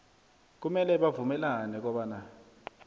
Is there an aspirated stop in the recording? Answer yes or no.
no